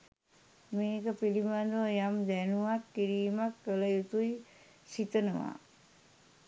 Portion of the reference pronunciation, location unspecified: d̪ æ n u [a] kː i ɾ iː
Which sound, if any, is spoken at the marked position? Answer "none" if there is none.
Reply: a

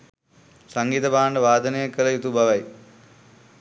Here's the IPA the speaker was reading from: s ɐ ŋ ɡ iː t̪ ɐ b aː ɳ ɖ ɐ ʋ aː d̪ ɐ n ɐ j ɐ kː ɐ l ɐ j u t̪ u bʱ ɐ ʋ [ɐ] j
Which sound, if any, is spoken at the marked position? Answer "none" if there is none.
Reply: ɐ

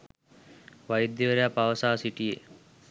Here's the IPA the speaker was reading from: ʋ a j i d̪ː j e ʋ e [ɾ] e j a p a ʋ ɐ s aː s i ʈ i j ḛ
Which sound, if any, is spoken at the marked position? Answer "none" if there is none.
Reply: ɾ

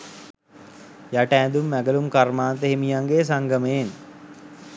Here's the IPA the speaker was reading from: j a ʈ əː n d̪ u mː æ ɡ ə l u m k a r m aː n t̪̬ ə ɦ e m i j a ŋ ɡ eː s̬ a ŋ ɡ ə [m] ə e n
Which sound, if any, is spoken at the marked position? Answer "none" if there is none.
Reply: m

